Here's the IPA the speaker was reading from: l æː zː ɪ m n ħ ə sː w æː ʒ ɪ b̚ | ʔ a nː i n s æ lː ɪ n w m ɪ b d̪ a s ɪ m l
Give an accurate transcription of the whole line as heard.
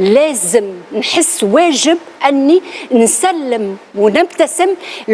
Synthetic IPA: l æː z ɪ m n ħ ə sː w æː ʒ ɪ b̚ | ʔ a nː i n s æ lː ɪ m w n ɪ b t̪ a s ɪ m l